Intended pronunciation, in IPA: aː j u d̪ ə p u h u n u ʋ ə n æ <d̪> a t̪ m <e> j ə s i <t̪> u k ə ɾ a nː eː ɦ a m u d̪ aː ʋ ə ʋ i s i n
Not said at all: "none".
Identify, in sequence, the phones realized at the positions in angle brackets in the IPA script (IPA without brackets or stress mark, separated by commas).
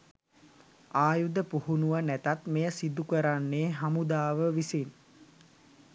t̪, e, d̪